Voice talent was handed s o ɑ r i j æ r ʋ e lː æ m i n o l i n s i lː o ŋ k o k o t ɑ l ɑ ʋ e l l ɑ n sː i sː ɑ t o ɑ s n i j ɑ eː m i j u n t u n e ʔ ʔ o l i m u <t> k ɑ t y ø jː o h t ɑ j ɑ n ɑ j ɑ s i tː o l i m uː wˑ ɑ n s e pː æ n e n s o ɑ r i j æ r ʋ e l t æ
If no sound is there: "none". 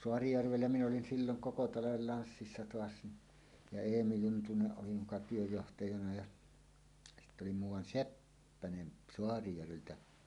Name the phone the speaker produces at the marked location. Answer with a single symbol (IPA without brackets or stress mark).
none